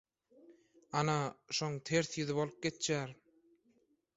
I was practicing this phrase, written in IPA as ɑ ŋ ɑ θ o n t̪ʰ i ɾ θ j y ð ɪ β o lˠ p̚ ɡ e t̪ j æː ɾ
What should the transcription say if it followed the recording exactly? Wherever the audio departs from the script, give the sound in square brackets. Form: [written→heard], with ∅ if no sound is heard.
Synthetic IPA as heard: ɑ [ŋ→n] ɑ [θ→ʃ] o [n→ŋ] t̪ʰ [i→e] ɾ θ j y ð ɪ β o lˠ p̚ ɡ e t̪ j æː ɾ